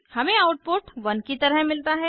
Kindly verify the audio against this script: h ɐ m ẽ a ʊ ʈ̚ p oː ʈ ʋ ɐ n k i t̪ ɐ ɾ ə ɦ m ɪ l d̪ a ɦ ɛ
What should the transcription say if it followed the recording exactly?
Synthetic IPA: h ɐ m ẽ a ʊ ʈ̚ p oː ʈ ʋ ɐ n k i t̪ ɐ ɾ ə ɦ m ɪ l t̪ a ɦ ɛ